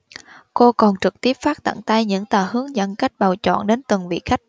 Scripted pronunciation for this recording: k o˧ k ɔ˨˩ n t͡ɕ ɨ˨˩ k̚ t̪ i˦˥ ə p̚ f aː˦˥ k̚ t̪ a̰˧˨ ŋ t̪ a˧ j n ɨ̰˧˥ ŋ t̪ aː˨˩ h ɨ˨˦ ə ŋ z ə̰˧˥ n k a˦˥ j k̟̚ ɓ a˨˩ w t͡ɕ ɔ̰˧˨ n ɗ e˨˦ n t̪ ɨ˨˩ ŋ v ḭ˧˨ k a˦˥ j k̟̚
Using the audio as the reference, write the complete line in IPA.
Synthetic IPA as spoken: k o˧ k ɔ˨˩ n t͡ɕ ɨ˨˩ k̚ t̪ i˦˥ ə p̚ f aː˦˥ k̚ t̪ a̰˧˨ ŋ t̪ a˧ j ɲ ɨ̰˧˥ ŋ t̪ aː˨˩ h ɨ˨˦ ə ŋ z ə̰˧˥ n k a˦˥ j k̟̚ ɓ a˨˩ w t͡ɕ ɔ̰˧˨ n ɗ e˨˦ n t̪ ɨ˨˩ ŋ v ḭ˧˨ x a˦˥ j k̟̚